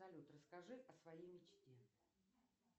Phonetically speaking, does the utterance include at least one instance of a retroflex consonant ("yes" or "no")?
yes